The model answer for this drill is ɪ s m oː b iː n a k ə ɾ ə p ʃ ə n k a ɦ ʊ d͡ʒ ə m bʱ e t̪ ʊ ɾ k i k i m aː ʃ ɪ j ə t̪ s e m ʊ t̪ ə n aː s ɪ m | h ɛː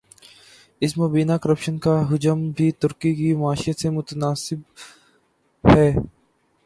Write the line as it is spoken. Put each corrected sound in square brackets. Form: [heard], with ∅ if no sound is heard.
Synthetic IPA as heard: ɪ s m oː b iː n a k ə ɾ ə p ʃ ə n k a ɦ ʊ d͡ʒ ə m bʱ [i] t̪ ʊ ɾ k i k i m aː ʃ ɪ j ə t̪ s e m ʊ t̪ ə n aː s ɪ [b] | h ɛː